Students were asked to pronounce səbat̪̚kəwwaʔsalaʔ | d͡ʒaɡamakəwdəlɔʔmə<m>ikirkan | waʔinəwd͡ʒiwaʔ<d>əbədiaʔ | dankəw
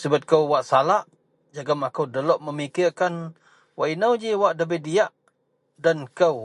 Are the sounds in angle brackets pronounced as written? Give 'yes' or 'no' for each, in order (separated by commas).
yes, yes